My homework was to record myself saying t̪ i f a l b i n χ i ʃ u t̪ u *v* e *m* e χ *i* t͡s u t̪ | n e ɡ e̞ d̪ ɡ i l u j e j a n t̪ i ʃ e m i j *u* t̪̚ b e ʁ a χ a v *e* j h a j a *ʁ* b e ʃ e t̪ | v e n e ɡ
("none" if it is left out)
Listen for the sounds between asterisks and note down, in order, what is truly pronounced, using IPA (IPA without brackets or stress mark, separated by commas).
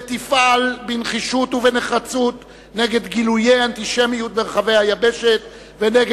v, n, a, u, e, none